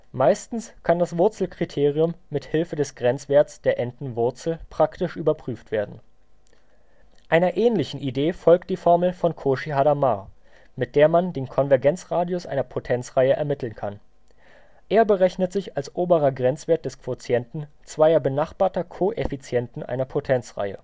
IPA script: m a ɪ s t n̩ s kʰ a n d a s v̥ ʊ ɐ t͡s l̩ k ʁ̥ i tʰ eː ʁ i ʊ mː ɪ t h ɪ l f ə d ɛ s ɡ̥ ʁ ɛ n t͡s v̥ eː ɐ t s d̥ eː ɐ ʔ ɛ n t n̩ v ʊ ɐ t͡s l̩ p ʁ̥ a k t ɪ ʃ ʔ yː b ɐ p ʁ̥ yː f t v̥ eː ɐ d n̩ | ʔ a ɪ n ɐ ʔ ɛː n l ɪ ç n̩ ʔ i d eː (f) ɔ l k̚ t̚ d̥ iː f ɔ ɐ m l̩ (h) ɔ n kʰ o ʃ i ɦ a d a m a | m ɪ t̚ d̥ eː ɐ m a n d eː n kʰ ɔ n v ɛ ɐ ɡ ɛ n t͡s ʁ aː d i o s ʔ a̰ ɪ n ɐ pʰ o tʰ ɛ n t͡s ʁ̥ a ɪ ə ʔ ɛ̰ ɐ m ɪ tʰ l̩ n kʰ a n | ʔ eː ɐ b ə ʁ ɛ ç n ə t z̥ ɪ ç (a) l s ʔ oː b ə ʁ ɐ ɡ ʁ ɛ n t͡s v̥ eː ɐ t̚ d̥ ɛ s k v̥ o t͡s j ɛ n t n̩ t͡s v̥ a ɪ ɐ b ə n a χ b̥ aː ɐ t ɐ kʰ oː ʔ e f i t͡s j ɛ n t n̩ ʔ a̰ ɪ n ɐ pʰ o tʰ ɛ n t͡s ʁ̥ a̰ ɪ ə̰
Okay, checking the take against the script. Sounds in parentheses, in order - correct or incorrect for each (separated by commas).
correct, incorrect, correct